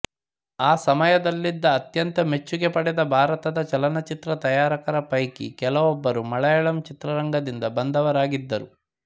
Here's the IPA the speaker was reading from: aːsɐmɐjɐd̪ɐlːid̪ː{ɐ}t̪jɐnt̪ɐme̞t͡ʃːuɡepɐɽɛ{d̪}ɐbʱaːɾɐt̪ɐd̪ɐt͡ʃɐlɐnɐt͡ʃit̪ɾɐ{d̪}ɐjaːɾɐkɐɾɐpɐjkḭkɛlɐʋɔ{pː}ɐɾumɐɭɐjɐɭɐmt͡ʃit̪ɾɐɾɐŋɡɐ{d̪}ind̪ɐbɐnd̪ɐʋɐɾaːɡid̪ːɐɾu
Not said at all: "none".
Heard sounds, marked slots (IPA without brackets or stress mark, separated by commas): ɐː, d̪, t̪, bː, d̪